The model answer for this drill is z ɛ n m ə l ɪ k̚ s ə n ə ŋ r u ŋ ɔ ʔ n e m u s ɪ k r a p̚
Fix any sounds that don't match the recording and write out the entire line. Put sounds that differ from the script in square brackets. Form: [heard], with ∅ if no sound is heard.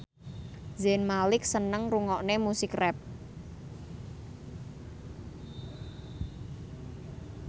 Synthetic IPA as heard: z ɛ n m [a] l ɪ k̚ s ə n ə ŋ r u ŋ ɔ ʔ n e m u s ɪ k r [ɛ] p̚